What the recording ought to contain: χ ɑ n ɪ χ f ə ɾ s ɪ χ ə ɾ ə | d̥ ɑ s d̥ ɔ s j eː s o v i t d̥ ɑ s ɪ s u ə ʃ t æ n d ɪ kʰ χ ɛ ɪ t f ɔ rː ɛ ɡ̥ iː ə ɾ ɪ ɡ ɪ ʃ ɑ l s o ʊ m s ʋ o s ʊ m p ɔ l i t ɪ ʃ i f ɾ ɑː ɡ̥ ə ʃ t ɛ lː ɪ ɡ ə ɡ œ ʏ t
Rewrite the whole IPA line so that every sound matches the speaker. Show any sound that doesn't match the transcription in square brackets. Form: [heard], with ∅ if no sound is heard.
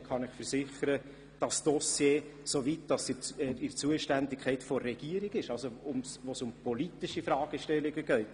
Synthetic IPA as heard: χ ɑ n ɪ χ f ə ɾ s ɪ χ ə ɾ ə | d̥ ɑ s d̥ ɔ s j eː s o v i t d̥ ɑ s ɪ [t͡s] u ə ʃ t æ n d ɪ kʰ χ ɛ ɪ t f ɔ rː ɛ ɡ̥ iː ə ɾ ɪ ɡ ɪ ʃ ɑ l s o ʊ m s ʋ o s ʊ m p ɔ l i t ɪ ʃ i f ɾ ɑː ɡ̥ ə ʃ t ɛ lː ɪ ɡ ə ɡ œ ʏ t